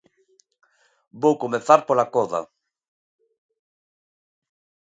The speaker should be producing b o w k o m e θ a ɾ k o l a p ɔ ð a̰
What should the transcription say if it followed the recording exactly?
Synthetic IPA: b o w k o m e θ a ɾ p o l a k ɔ ð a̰